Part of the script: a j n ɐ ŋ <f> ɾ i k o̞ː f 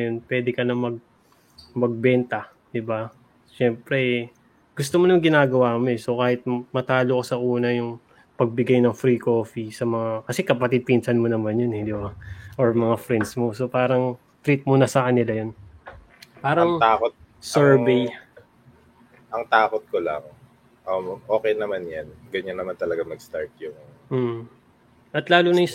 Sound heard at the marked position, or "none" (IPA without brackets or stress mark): f